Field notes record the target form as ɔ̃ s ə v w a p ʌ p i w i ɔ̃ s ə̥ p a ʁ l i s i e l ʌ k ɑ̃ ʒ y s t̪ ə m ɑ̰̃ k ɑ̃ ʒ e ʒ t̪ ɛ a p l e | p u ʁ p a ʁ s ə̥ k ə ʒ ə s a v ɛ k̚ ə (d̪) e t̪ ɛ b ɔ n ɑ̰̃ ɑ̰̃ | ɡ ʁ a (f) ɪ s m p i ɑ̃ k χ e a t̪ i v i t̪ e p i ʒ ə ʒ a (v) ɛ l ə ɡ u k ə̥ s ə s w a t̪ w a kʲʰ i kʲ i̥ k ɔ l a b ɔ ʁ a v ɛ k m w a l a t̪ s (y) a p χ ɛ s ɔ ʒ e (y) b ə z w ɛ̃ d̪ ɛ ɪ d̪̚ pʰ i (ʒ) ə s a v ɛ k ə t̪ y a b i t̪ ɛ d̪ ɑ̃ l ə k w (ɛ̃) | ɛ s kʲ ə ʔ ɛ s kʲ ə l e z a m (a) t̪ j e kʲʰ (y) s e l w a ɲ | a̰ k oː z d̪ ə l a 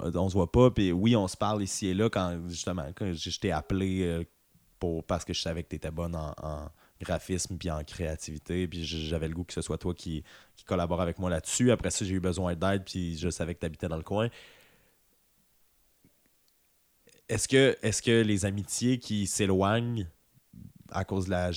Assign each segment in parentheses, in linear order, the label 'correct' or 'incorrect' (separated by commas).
incorrect, correct, correct, correct, correct, correct, correct, incorrect, incorrect